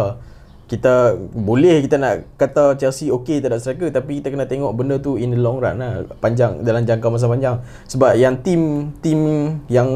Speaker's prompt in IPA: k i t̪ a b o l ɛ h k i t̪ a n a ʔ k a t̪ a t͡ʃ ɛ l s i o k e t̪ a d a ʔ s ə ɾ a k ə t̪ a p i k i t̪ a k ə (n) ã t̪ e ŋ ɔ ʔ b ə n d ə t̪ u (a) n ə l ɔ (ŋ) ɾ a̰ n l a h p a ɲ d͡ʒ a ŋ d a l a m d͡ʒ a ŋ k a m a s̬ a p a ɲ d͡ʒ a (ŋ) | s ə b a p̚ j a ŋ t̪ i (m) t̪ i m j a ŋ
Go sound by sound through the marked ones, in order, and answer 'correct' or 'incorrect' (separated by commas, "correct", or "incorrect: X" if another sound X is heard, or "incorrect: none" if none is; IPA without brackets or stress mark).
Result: correct, incorrect: i, correct, correct, correct